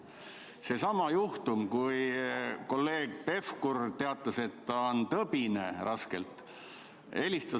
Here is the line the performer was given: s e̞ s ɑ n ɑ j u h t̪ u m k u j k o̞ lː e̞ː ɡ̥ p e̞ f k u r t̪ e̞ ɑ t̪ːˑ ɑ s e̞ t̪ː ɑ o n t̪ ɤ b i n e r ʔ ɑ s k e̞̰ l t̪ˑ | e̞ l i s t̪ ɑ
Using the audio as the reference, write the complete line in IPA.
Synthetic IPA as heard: s e̞ s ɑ m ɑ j u h t̪ u m k u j k o̞ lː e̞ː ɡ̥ p e̞ f k u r t̪ e̞ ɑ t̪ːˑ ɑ s e̞ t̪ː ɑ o n t̪ ɤ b i n e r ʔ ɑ s k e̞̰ l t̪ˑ | e̞ l i s t̪ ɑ

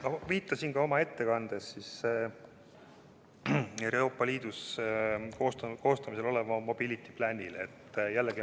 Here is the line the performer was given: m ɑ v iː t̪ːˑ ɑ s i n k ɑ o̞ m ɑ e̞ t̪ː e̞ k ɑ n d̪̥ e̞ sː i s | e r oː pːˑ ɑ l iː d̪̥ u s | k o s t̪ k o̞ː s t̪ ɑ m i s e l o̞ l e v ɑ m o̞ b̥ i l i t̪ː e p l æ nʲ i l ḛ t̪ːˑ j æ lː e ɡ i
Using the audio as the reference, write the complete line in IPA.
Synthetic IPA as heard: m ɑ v iː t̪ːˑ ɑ s i n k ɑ o̞ m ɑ e̞ t̪ː e̞ k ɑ n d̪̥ e̞ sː i s | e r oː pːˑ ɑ l iː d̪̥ u s | k o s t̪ k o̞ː s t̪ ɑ m i s e l o̞ l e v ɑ m o̞ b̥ i l i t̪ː i p l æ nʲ i l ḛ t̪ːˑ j æ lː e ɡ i

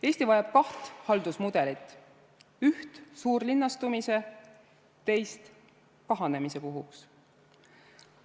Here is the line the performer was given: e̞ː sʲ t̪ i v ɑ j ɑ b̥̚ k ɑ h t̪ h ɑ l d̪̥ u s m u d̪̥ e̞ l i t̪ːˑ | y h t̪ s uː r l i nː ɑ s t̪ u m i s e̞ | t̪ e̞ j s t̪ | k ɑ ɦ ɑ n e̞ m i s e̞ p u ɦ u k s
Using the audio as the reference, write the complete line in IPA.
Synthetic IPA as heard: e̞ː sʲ t̪ i v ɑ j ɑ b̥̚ k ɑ h t̪ h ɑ l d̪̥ u s m u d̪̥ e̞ l i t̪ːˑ | y h t̪ s uː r l i nː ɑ s t̪ u m i s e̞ | t̪ e̞ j s t̪ | k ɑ ɦ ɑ n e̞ m i s e̞ p u ɦ u k s

